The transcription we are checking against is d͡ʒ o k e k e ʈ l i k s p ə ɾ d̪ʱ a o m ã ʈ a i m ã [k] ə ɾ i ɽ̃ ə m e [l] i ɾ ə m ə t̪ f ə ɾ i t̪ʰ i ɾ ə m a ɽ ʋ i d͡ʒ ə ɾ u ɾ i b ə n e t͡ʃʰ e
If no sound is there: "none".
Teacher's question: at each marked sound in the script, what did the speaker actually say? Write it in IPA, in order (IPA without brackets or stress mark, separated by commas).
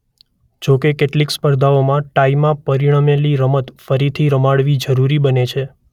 p, l